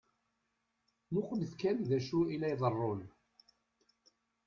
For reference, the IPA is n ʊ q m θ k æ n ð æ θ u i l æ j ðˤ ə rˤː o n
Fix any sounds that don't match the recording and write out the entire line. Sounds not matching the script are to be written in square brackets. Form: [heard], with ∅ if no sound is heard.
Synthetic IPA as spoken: n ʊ q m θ k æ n ð æ [ʃ] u i l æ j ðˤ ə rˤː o n